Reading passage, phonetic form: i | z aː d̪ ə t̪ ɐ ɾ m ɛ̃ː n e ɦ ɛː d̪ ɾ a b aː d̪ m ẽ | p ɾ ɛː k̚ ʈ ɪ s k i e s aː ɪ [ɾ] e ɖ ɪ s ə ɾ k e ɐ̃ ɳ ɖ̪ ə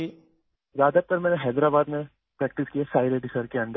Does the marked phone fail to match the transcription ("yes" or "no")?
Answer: no